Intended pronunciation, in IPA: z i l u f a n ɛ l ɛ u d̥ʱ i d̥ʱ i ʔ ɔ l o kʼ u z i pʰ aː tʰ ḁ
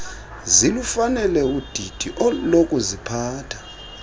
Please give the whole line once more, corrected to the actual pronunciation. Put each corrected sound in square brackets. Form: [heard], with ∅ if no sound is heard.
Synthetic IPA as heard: z i l u f a n ɛ l ɛ u d̥ʱ i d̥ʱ i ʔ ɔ l o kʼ u z i pʰ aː tʰ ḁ